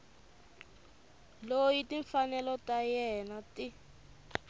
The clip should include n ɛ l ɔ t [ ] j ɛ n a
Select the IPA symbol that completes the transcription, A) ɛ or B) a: B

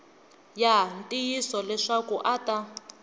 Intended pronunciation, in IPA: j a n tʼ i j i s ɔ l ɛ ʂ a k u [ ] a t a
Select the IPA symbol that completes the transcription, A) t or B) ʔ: B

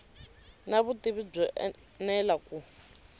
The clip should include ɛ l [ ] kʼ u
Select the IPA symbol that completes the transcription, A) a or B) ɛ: A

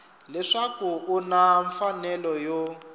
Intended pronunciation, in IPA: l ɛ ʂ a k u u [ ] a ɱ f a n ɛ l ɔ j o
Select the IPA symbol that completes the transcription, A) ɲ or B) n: B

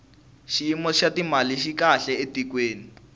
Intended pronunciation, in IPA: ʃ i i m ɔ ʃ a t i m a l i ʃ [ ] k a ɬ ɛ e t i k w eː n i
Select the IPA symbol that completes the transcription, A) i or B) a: A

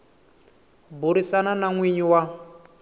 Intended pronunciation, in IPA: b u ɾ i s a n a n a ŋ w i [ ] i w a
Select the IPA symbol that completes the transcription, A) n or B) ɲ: B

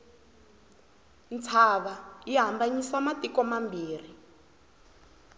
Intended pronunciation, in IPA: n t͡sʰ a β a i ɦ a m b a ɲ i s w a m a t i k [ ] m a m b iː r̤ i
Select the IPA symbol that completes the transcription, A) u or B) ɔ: B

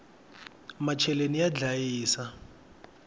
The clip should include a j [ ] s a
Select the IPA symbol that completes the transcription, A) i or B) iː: B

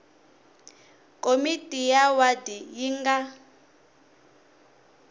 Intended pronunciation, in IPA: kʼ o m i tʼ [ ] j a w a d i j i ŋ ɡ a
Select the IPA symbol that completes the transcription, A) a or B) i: B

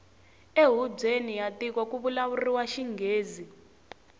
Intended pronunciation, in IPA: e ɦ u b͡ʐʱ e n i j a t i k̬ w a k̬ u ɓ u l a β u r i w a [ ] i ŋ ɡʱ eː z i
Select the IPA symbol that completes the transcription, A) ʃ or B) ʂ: A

